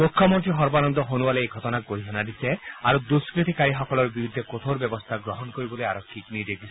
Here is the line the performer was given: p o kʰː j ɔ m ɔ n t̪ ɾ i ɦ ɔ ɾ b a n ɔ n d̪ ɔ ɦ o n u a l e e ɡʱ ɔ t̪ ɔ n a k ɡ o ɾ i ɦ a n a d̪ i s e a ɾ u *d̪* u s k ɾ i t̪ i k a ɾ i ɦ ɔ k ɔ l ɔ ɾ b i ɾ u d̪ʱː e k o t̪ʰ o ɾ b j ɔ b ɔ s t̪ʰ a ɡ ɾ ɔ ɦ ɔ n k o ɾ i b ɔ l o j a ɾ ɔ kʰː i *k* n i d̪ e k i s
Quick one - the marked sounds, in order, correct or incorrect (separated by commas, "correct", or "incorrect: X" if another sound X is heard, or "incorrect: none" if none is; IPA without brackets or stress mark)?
correct, correct